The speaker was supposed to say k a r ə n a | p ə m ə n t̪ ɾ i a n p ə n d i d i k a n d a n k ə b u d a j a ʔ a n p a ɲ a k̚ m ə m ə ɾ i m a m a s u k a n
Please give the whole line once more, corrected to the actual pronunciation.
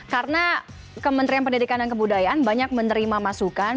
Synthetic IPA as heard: k a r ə n a | k ə m ə n t̪ ɾ i a n p ə n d i d i k a n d a n k ə b u d a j a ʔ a n b a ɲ a k̚ m ə n ə ɾ i m a m a s u k a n